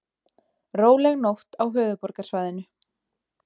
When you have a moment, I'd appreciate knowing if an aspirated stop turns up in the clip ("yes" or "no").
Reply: no